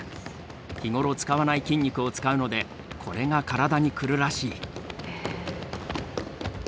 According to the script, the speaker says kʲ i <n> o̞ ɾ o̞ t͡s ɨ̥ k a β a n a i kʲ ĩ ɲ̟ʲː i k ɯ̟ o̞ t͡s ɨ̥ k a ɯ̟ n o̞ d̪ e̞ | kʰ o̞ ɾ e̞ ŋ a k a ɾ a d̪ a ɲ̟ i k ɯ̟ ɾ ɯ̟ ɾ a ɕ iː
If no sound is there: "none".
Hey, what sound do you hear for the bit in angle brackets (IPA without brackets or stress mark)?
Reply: ŋ